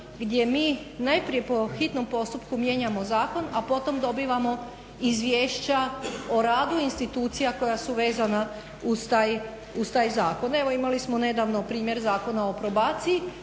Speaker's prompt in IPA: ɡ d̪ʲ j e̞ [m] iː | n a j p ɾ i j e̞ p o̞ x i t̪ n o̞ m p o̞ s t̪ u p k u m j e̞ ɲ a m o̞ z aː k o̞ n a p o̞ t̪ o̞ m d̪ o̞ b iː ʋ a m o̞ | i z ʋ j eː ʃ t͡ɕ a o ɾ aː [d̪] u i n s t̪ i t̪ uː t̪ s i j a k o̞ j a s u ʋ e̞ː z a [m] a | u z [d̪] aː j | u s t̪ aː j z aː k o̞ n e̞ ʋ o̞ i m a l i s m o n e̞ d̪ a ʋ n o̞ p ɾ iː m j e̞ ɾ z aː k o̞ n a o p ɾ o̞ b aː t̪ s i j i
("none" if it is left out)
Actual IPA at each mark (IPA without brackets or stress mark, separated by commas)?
m, d̪, n, t̪